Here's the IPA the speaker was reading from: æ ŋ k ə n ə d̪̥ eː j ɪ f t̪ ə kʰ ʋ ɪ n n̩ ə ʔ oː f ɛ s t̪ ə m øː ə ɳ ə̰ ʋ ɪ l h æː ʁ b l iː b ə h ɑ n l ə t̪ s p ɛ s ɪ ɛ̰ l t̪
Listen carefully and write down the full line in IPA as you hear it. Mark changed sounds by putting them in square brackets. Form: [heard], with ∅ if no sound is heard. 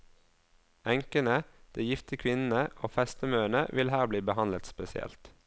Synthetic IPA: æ ŋ k ə n ə d̪̥ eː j ɪ f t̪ ə kʰ ʋ ɪ n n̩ ə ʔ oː f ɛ s t̪ ə m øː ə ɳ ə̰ ʋ ɪ l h æː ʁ b l iː b ə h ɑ n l ə t̪ s p ɛ s ɪ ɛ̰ l t̪